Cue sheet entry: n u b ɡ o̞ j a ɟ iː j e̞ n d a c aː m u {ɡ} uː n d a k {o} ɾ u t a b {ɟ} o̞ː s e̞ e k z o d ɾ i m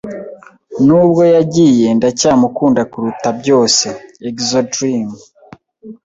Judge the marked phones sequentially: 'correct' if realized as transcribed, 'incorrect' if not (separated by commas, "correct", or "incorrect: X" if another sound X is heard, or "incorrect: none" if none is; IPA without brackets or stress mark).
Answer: incorrect: k, incorrect: u, correct